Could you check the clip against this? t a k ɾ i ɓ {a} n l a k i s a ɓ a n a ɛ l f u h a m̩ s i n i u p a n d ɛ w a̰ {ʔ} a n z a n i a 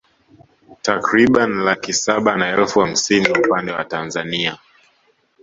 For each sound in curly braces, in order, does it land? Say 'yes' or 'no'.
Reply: yes, no

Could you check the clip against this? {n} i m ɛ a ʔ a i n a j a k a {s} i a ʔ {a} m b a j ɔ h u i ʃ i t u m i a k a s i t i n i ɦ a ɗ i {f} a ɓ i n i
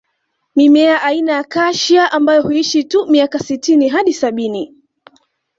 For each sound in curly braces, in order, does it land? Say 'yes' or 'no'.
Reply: no, no, yes, no

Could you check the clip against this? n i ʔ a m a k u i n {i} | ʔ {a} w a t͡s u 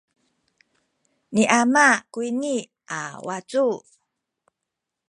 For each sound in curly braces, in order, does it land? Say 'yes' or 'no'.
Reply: yes, yes

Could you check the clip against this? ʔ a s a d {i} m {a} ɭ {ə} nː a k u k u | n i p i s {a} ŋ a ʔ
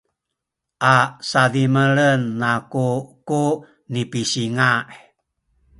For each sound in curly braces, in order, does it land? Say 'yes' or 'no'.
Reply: yes, no, yes, no

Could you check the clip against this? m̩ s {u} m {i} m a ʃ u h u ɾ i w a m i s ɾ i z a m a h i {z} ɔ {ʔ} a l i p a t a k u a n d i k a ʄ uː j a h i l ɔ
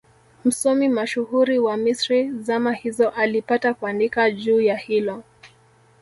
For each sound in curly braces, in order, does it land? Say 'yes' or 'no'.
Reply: no, yes, yes, yes

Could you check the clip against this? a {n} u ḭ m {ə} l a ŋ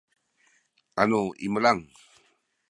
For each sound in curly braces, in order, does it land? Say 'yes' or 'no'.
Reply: yes, yes

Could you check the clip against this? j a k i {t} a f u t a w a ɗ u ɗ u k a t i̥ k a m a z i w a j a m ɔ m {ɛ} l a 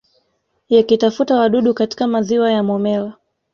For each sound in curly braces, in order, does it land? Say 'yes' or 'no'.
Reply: yes, yes

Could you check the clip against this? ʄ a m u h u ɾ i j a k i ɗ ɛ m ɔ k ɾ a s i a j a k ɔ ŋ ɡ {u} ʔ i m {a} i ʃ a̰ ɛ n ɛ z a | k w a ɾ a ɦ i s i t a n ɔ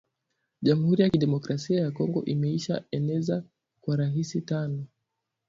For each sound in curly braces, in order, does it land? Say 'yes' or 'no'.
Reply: no, no

